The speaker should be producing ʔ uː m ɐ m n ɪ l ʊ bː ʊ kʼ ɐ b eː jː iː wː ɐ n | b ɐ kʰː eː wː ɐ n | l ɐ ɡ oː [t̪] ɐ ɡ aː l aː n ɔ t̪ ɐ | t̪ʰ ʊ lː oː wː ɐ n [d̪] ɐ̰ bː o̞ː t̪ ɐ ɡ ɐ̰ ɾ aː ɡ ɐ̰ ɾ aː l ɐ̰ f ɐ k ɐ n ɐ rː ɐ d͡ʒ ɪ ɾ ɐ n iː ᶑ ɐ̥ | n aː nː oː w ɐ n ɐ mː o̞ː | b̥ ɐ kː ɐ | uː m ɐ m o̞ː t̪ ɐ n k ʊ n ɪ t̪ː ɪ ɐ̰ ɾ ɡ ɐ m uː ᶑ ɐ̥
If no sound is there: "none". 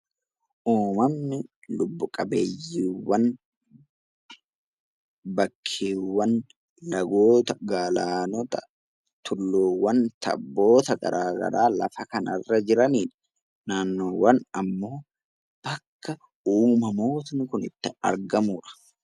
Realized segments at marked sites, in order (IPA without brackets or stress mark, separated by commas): t̪, t̪